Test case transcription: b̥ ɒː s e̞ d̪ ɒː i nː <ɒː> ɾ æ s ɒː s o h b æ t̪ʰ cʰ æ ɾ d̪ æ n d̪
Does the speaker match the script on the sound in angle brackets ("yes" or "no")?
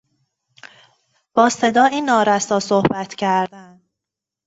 yes